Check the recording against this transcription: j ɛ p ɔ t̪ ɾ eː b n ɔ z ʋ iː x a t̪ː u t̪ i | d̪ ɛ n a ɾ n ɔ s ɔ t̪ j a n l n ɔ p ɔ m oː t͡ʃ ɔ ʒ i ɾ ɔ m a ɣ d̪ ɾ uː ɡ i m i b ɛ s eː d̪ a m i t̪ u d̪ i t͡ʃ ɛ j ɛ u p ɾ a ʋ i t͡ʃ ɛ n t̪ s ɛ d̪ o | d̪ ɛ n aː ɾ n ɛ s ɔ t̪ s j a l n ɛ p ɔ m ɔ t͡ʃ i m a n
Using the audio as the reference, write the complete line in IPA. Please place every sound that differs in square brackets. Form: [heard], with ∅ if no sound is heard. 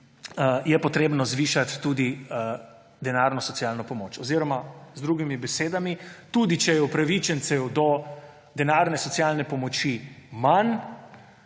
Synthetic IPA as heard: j ɛ p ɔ t̪ ɾ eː b n ɔ z ʋ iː [ʃ] a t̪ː u [d̪] i | d̪ ɛ n a ɾ n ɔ s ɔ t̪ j a [∅] l n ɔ p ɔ m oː t͡ʃ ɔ [z] i ɾ ɔ m a [z] d̪ ɾ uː ɡ i m i b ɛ s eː d̪ a m i t̪ u d̪ i t͡ʃ ɛ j ɛ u p ɾ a ʋ i t͡ʃ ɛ n t̪ s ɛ d̪ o | d̪ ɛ n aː ɾ n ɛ s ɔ t̪ s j a l n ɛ p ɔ m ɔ t͡ʃ i m a n